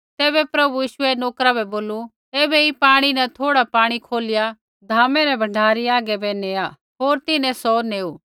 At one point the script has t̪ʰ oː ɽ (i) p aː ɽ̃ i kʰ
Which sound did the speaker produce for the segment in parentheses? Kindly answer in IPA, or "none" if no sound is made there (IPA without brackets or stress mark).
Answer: a